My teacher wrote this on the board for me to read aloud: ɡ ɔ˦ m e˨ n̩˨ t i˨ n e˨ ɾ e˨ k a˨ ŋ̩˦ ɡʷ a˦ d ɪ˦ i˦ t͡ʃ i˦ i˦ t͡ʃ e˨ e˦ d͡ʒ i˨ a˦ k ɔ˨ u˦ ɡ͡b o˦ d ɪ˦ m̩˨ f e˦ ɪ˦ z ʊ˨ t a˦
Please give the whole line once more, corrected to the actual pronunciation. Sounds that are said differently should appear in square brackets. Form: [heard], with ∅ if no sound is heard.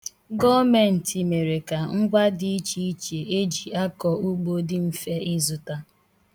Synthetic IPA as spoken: ɡ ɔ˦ m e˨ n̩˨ t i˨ [m] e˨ ɾ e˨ k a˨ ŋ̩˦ ɡʷ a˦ d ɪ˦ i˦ t͡ʃ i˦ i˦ t͡ʃ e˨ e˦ d͡ʒ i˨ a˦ k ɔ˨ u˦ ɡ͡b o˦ d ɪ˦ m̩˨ f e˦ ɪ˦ z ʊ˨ t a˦